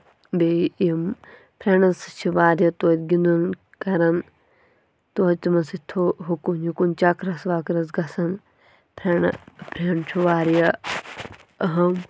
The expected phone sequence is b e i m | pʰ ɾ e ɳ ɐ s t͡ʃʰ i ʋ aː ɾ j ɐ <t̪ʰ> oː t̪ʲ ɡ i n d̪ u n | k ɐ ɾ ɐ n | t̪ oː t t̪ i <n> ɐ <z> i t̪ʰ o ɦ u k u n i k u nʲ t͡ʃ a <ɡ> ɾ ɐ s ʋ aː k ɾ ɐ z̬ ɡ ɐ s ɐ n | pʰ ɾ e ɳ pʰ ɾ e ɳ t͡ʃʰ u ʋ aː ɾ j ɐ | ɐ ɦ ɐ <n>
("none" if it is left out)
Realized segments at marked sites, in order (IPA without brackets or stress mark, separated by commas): t̪, m, s, k, m